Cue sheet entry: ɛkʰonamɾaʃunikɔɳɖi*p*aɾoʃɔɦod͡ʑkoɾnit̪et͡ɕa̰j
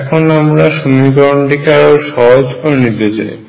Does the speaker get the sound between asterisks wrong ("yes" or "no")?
yes